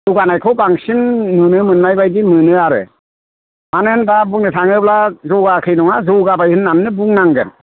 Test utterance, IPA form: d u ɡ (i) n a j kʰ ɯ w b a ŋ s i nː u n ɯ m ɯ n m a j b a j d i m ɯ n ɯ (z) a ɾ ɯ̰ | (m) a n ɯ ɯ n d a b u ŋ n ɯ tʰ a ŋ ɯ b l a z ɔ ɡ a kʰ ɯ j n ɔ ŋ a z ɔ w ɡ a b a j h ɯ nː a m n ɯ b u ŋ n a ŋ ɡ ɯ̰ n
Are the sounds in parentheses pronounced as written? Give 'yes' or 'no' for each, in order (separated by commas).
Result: no, no, yes